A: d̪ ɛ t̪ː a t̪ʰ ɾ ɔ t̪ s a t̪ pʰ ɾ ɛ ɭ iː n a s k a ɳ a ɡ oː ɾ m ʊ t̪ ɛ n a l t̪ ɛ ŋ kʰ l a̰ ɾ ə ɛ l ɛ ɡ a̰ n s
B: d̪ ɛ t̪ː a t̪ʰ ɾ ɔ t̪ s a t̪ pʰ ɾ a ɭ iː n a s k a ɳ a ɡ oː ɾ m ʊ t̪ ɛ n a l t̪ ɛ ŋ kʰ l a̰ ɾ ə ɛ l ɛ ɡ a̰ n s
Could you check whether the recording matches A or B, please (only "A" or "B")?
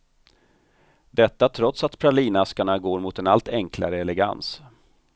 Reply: B